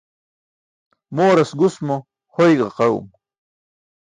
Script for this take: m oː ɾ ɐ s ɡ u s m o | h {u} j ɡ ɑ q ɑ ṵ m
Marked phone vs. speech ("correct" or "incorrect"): incorrect